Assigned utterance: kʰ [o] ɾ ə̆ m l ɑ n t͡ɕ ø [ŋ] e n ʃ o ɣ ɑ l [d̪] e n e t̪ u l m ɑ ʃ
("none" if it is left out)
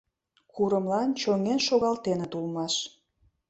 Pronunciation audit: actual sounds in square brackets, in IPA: u, ŋ, t̪

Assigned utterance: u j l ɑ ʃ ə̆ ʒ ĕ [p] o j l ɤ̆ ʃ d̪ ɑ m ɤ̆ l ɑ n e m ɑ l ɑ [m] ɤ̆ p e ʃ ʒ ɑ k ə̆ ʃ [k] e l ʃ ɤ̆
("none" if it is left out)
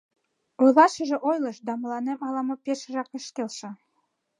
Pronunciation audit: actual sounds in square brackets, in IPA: ʔ, m, k

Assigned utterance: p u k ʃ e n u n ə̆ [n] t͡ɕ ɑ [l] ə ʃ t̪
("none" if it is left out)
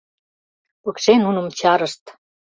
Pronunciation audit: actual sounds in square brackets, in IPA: m, ɾ

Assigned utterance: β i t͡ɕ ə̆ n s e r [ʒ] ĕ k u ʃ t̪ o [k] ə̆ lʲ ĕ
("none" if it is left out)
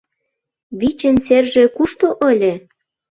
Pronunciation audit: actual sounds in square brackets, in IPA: ʒ, ʔ

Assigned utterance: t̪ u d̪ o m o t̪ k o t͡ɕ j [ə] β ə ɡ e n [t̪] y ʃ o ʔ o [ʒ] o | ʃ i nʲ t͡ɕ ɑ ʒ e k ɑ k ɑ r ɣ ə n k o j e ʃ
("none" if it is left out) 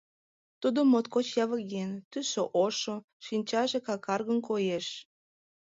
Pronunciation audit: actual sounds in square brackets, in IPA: ɑ, t̪, ʃ

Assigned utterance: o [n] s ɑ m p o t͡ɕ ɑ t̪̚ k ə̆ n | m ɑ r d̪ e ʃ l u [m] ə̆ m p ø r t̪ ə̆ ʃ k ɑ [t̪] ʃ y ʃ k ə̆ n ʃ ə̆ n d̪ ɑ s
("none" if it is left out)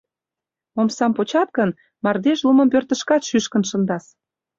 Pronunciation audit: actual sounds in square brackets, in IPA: m, m, t̪

